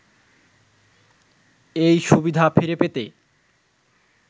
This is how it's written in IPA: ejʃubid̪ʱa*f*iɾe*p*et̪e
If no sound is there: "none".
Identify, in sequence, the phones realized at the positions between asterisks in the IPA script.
f, p

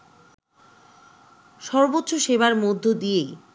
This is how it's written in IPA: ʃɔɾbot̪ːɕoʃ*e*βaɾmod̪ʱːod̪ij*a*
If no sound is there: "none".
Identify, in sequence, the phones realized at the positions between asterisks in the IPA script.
e, e

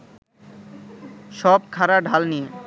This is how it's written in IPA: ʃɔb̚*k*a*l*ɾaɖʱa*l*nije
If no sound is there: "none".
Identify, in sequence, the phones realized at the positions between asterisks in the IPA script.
kʰ, none, l

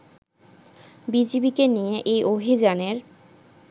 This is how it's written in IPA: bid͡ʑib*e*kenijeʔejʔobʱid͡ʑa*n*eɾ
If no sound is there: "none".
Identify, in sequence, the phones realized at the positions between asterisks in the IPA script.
i, n

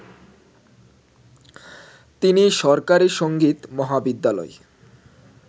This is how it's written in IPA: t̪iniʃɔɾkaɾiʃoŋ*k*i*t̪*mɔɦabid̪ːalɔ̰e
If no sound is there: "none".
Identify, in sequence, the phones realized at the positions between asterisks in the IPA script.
ɡ, t̪

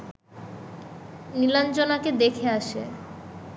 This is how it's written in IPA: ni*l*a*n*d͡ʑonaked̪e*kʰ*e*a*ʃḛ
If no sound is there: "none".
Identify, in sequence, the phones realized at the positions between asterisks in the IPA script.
l, n, kʰ, a

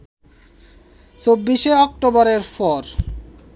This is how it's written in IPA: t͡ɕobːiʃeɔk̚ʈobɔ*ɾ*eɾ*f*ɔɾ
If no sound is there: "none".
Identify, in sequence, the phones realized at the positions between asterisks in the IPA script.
ɾ, f

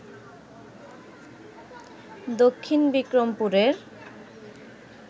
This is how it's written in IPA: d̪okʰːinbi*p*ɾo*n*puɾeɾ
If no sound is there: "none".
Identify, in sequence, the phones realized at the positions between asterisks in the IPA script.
k, m

